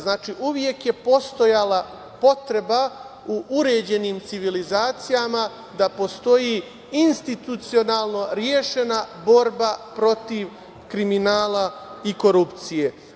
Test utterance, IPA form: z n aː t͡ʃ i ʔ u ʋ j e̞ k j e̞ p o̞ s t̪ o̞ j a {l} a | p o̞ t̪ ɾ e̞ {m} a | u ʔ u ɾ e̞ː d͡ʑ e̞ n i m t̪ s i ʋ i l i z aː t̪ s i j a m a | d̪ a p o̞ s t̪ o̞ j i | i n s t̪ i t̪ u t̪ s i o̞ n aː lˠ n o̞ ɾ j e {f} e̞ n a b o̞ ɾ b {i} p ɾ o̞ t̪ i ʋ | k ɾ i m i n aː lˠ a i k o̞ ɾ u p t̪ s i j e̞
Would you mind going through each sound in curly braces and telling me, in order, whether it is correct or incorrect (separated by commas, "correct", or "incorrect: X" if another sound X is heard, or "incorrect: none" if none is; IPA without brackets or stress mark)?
correct, incorrect: b, incorrect: ʃ, incorrect: a